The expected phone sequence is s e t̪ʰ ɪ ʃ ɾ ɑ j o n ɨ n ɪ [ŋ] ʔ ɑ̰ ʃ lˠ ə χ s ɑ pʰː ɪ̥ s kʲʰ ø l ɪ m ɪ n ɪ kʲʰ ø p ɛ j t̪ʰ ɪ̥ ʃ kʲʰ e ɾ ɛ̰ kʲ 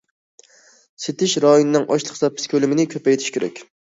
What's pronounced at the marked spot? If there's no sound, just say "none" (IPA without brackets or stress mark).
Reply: ŋ